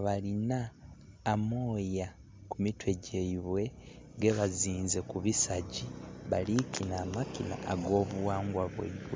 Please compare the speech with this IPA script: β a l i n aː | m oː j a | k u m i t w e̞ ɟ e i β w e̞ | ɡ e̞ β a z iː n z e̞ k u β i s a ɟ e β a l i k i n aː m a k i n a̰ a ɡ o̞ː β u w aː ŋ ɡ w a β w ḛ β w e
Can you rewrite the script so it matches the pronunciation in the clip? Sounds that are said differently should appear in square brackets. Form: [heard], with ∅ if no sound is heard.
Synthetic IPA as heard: β a l i n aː | m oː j a | k u m i t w e̞ ɟ e i β w e̞ | ɡ e̞ β a z iː n z e̞ k u β i s a ɟ [i] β a l i k i n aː m a k i n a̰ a ɡ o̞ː β u w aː ŋ ɡ w a β w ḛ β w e

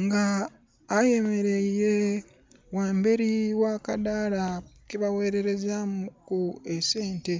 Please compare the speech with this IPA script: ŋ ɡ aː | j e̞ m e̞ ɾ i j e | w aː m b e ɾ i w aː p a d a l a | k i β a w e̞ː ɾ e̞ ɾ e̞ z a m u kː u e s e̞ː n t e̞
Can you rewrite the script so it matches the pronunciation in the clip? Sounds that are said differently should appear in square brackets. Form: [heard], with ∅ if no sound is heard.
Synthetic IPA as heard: ŋ ɡ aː | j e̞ m e̞ ɾ [e] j e | w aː m b e ɾ i w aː [k] a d a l a | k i β a w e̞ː ɾ e̞ ɾ e̞ z a m u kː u e s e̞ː n t e̞

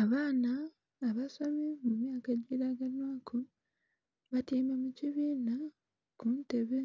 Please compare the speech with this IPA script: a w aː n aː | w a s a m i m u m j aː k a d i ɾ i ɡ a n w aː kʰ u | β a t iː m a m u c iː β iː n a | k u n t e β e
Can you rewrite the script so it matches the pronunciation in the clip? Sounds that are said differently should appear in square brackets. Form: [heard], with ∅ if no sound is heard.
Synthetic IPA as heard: a [β] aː n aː | [β] a s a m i m u m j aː k a [ɟ] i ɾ [a] ɡ a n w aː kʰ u | β a t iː m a m u c [i] β iː n a | k u n t e β e

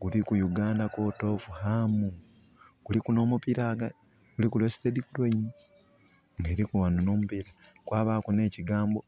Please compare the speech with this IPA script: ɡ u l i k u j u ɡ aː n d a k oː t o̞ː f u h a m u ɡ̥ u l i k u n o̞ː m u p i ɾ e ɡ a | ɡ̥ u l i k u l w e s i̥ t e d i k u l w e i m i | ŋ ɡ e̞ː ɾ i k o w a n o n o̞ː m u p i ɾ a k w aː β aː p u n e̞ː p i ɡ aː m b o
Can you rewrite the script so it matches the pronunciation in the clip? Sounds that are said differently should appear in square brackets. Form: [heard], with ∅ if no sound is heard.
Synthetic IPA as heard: ɡ u l i k u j u ɡ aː n d a k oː t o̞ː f u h a m u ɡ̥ u l i k u n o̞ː m u p i ɾ [a] ɡ a | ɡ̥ u l i k u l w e s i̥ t e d i k u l w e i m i | ŋ ɡ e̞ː ɾ i k [u] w a n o n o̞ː m u p i ɾ a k w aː β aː [k] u n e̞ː [c] i ɡ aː m b o

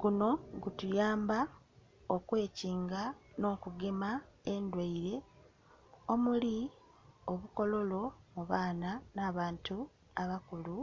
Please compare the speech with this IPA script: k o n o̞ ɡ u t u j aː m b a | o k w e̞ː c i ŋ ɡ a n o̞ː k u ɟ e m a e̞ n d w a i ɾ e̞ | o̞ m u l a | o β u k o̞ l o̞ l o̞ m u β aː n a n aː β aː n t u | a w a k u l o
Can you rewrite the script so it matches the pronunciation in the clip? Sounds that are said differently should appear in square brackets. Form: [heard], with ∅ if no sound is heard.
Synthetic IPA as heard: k [u] n o̞ ɡ u t u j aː m b a | o k w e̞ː c [iː] ŋ ɡ a n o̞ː k u [ɡ] e m a e̞ n d w a i ɾ e̞ | o̞ m u l [i] | o β u k o̞ l o̞ l o̞ m u β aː n a n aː β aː n t u | a [β] a k u l [u]

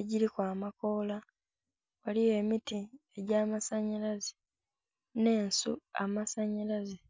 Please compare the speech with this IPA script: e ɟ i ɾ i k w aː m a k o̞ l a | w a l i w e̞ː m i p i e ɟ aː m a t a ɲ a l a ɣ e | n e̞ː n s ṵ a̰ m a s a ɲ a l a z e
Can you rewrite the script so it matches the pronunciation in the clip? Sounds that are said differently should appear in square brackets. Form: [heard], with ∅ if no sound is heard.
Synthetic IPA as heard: e ɟ i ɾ i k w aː m a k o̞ l a | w a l i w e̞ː m i [t] i e ɟ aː m a [s] a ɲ a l a [z] e | n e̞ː n s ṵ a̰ m a s a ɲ a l a z e

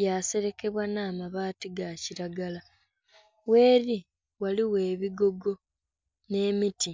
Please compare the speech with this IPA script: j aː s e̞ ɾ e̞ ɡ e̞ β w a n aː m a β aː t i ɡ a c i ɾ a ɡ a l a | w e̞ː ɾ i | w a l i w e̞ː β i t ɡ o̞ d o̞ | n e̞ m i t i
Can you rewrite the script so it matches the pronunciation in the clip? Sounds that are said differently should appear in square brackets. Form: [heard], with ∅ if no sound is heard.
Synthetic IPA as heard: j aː s e̞ ɾ e̞ [k] e̞ β w a n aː m a β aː t i ɡ a c i ɾ a ɡ a l a | w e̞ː ɾ i | w a l i w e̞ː β i [∅] ɡ o̞ [ɡ] o̞ | n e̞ m i t i

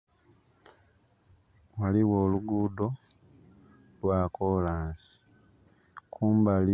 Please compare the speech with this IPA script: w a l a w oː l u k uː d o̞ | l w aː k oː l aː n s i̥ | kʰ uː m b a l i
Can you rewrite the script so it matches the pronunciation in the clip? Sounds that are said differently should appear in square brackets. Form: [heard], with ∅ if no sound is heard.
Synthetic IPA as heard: w a l [i] w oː l u [ɡ] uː d o̞ | l w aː k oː l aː n s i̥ | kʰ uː m b a l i

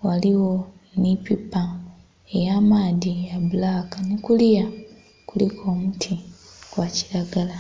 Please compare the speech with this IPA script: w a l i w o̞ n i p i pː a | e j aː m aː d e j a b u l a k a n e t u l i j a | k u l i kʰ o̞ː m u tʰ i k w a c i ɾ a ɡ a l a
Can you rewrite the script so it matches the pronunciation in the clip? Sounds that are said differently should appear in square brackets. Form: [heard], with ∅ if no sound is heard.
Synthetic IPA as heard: w a l i w o̞ n i p i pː a | e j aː m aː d [i] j a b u l a k a n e [k] u l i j a | k u l i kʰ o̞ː m u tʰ i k w a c i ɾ a ɡ a l a

